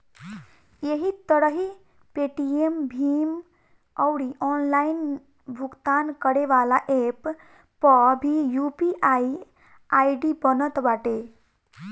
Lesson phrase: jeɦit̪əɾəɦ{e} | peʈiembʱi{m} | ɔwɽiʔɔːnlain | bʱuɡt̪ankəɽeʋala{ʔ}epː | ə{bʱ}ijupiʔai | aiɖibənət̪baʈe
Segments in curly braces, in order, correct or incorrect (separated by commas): incorrect, correct, correct, correct